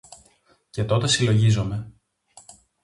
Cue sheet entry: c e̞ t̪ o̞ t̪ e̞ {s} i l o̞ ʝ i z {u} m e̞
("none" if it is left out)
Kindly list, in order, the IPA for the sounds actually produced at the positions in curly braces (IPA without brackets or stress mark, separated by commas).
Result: s, o